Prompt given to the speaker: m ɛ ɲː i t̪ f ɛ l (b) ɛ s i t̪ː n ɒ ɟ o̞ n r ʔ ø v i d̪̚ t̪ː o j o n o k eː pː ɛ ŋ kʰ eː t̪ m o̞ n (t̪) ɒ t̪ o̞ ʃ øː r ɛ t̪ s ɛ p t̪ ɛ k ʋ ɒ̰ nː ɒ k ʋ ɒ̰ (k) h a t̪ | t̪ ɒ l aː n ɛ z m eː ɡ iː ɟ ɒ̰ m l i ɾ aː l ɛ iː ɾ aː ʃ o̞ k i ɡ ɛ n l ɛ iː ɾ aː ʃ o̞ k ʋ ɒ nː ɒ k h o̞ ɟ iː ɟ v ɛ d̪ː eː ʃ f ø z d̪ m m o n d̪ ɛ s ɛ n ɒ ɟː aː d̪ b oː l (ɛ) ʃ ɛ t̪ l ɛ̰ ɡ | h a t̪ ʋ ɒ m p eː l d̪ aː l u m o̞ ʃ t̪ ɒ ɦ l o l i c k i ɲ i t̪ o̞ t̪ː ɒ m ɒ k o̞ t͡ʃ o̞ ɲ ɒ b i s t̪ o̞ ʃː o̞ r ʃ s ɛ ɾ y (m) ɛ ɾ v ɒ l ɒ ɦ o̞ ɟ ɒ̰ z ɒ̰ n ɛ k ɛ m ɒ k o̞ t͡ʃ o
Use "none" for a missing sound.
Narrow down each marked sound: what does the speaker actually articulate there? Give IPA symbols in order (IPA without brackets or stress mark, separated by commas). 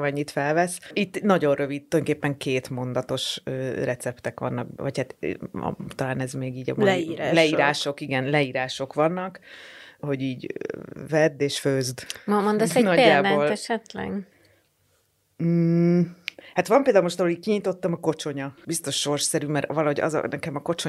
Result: v, d̪, c, ɛ, m